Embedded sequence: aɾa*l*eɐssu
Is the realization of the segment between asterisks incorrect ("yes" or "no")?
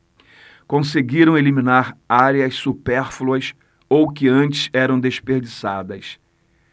yes